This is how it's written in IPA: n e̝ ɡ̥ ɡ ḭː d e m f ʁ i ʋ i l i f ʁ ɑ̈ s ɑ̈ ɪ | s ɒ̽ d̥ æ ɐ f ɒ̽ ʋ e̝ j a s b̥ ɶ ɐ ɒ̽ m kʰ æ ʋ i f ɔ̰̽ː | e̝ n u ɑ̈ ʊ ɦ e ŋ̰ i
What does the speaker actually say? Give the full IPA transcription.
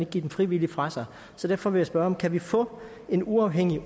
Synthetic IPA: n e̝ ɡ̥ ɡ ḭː d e m f ʁ i ʋ i l i f ʁ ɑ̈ s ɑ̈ ɪ | s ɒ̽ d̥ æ ɐ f ɒ̽ ʋ e̝ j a s b̥ ɶ ɐ ɒ̽ m kʰ æ ʋ i f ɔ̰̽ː | e̝ n u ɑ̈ ʊ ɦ e ŋ̰ i